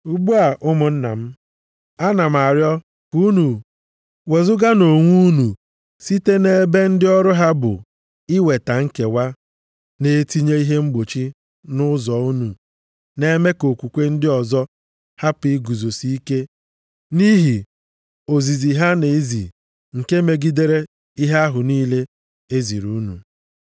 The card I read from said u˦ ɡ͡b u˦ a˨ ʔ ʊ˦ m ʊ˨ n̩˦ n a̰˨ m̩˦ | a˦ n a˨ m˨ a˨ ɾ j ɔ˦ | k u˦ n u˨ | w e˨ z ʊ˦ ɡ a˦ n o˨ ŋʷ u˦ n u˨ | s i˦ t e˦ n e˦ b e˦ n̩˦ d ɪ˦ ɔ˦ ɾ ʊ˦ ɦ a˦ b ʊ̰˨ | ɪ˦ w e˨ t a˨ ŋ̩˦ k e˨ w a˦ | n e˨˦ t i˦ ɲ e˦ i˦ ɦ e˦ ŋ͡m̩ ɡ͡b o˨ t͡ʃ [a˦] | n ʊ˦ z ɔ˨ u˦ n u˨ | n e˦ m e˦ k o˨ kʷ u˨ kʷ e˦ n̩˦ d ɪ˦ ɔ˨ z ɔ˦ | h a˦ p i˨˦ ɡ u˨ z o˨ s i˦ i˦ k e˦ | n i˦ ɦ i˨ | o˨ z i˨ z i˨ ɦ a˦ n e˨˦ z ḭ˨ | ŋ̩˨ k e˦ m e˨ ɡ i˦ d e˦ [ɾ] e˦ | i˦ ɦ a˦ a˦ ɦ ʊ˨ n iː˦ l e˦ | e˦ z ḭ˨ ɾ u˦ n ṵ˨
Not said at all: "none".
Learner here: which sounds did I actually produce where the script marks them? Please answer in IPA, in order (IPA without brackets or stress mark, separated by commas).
i˦, ɾ